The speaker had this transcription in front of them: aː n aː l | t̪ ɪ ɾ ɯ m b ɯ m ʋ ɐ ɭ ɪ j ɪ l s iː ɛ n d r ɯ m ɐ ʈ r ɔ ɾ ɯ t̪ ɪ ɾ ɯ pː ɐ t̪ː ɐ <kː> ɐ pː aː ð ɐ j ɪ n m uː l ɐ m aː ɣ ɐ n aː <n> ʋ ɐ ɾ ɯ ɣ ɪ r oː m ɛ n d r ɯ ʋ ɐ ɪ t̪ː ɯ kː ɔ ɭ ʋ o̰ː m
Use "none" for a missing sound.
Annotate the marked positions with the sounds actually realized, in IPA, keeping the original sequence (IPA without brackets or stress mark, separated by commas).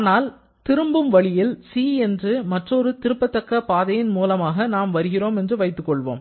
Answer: kː, m